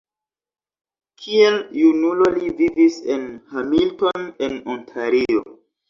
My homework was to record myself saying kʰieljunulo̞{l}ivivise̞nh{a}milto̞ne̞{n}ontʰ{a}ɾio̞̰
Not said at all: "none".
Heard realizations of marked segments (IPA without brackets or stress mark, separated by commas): l, a, n, a